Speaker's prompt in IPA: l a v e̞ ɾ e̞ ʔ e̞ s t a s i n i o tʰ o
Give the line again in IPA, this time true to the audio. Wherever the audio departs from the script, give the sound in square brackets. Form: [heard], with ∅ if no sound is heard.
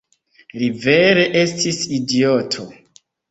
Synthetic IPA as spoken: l [i] v e̞ ɾ e̞ ʔ e̞ s t [i] s i [d] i o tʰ o